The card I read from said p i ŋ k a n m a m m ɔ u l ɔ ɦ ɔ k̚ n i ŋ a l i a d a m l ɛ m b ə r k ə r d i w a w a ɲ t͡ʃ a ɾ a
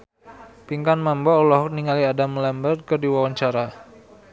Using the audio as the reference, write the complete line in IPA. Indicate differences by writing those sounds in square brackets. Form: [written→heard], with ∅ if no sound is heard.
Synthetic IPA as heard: p i ŋ k a n m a m [m→b] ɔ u l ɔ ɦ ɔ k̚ n i ŋ a l i a d a m l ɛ m b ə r k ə r d i w a w a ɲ t͡ʃ a ɾ a